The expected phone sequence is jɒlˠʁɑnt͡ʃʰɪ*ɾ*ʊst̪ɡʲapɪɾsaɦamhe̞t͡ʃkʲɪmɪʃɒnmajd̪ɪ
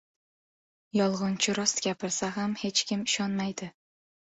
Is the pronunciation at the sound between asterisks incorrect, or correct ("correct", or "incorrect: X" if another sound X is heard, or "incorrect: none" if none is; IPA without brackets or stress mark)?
correct